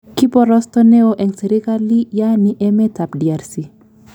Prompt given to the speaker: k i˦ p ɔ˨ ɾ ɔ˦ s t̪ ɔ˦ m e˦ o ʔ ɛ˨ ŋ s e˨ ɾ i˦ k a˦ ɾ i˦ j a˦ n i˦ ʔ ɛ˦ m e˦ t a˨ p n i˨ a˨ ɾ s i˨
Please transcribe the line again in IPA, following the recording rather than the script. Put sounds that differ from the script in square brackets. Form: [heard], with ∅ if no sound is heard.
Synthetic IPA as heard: k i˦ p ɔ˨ ɾ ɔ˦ s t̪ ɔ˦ [n] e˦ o ʔ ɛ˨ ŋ s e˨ ɾ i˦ k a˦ [l] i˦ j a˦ n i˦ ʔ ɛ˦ m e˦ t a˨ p [d] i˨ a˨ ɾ s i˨

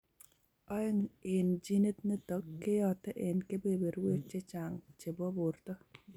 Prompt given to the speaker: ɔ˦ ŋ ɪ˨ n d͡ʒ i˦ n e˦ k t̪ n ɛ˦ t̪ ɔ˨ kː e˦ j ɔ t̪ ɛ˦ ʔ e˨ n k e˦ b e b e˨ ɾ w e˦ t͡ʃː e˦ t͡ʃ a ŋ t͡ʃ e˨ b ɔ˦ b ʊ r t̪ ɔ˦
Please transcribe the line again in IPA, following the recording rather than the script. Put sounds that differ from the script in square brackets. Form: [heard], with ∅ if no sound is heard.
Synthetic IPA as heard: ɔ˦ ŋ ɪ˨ n d͡ʒ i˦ n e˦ [∅] t̪ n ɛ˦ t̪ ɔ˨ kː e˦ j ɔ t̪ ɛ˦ ʔ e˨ n k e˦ b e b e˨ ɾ w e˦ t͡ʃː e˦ t͡ʃ a ŋ t͡ʃ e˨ b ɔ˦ b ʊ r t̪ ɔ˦

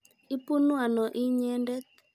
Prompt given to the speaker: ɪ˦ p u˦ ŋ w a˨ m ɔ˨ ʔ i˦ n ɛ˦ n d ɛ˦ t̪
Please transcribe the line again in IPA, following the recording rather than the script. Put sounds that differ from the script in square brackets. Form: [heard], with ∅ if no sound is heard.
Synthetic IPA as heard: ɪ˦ p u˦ [n] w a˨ [n] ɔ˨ ʔ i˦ [ɲ] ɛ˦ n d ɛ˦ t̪

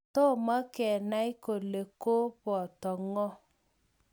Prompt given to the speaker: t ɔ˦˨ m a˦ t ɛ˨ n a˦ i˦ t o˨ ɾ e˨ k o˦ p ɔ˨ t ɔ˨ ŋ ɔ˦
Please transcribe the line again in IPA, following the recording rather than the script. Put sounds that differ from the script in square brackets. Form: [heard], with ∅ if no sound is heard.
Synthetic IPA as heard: t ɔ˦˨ m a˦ [k] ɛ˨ n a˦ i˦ [k] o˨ [l] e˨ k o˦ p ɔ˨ t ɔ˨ ŋ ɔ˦

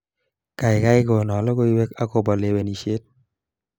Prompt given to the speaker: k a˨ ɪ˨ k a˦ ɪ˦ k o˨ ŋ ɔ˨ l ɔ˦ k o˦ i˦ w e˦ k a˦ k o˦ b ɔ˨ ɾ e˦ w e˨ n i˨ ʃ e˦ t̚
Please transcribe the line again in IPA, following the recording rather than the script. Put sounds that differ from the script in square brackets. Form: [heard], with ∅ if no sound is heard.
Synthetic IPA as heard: k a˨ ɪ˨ k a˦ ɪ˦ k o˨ [n] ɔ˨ l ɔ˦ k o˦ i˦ w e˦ k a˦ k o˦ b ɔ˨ [l] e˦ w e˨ n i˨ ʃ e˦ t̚

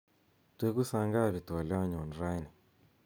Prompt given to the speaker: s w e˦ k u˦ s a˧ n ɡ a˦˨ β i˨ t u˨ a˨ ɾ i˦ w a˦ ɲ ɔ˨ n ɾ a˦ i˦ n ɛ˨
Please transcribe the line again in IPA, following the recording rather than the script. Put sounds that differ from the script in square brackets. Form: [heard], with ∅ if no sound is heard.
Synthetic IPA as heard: [t] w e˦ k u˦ s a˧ [ŋ] ɡ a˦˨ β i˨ t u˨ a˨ [l] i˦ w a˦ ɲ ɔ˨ n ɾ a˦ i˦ n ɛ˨

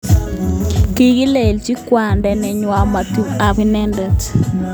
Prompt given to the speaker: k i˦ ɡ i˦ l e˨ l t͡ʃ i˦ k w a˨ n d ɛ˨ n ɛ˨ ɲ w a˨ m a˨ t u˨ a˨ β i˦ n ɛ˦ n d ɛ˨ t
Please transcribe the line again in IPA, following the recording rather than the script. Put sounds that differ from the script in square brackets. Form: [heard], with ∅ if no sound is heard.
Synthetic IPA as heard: k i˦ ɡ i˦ l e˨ l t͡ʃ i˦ k w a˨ n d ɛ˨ n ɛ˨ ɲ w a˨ m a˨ t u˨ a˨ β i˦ n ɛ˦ n d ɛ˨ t

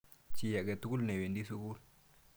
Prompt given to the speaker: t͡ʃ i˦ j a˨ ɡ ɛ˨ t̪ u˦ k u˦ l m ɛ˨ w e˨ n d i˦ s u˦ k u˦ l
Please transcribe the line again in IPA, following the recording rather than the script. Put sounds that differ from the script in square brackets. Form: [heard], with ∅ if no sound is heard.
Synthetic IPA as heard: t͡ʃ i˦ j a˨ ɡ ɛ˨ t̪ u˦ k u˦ l [n] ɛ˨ w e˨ n d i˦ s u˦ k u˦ l

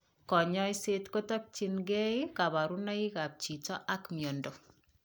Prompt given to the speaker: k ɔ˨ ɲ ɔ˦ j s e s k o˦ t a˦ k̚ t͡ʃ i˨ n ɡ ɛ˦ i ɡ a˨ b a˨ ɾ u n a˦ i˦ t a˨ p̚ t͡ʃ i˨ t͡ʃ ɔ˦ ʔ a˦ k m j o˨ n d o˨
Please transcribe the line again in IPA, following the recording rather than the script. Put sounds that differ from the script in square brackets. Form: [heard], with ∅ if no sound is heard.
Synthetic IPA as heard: k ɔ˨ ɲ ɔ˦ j s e [t] k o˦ t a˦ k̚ t͡ʃ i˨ n ɡ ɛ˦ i [k] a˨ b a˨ ɾ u n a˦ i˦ [k] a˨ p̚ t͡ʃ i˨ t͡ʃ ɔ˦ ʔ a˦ k m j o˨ n d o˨

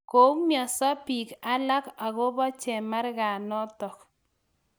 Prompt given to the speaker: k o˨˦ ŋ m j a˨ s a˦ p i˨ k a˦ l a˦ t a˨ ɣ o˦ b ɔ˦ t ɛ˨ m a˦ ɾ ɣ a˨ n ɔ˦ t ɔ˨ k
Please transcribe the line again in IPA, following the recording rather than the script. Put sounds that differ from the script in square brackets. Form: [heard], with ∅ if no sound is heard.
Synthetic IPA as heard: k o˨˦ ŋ m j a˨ s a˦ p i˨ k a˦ l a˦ [k] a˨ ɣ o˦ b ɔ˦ [t͡ʃ] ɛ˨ m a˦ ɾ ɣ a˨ n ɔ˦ t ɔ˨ k

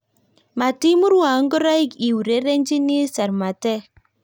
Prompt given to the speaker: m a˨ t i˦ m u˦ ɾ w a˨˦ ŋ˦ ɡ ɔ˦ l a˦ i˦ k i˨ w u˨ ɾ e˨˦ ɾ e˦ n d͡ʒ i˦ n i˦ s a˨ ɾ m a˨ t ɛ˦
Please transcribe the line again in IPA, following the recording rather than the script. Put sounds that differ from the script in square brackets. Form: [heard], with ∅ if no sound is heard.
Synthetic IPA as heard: m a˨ t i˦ m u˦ ɾ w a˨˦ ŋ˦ ɡ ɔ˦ [ɾ] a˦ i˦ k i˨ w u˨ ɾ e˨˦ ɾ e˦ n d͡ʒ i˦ n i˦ s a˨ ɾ m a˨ t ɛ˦

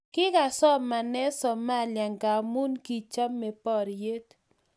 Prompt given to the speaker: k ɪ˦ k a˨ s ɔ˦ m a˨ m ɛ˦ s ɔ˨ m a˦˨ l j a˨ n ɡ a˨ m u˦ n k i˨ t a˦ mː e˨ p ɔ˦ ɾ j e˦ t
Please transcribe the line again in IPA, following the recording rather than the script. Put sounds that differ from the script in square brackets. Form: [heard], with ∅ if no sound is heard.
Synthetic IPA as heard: k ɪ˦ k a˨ s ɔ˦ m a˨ [n] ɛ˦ s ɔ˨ m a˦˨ l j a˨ [ŋ] ɡ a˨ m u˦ n k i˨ [t͡ʃ] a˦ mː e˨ p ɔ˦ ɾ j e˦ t

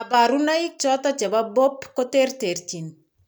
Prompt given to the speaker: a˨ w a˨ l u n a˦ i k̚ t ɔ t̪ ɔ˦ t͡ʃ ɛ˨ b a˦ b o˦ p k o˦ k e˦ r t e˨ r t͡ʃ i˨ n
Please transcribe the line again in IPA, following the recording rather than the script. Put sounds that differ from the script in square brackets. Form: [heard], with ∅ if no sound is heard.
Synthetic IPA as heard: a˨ [b] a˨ [ɾ] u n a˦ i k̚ [t͡ʃ] ɔ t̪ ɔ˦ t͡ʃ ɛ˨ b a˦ b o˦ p k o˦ [t] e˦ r t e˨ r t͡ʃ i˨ n

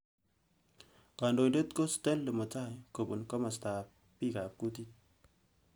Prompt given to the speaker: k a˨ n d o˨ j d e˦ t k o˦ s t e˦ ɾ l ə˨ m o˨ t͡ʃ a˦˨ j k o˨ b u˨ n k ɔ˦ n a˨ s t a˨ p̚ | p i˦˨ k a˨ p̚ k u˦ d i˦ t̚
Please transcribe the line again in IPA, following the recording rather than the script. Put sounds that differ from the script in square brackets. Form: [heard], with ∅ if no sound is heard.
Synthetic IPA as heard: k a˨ n d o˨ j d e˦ t k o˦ s t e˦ [l] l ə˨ m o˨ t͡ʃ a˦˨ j k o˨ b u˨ n k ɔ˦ [m] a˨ s t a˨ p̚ | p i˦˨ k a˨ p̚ k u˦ [t] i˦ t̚

